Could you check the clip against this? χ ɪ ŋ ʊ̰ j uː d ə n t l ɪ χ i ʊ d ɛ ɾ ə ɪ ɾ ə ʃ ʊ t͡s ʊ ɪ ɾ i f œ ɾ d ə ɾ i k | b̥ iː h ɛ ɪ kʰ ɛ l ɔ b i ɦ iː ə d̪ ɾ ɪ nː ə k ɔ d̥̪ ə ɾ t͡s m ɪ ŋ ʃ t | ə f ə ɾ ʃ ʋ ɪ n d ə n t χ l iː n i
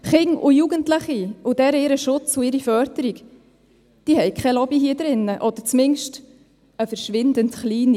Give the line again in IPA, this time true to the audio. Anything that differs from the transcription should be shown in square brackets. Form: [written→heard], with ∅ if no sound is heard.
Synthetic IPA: χ ɪ ŋ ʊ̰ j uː [d→ɡ] ə n t l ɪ χ i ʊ d ɛ ɾ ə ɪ ɾ ə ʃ ʊ t͡s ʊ ɪ ɾ i f œ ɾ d ə ɾ i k | [b̥→d̥] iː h ɛ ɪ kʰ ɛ l ɔ b i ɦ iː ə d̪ ɾ ɪ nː ə [k→ʔ] ɔ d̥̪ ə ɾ t͡s m ɪ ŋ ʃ t | ə f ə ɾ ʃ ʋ ɪ n d ə n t χ l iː n i